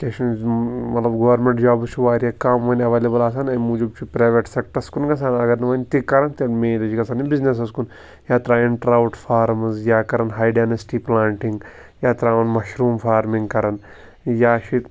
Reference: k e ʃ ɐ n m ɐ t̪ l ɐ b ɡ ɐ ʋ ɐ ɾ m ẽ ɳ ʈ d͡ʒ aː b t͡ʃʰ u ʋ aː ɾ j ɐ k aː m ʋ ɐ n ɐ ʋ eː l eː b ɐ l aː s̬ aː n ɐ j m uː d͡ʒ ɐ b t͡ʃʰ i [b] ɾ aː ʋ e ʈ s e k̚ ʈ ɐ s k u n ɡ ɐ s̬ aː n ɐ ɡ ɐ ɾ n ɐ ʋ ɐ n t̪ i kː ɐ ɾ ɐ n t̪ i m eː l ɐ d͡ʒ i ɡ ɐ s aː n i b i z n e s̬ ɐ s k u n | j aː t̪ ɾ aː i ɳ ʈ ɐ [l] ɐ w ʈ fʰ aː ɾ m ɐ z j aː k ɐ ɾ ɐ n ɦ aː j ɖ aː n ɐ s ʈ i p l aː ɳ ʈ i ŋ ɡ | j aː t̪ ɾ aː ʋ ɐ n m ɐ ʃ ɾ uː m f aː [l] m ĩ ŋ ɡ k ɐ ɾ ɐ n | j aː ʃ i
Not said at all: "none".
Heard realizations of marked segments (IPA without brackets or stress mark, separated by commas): p, ɾ, ɾ